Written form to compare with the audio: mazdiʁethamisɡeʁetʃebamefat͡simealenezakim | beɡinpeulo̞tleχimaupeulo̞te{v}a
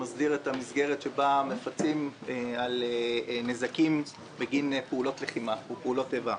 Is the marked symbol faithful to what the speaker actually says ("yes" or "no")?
yes